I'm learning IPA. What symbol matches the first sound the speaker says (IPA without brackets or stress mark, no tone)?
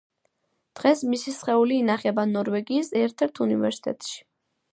d̪̥